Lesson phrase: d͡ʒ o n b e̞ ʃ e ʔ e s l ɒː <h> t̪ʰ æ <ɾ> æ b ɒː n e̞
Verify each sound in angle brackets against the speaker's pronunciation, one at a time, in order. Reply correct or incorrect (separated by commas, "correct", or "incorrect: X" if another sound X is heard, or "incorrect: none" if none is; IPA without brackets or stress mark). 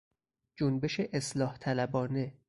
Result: correct, incorrect: l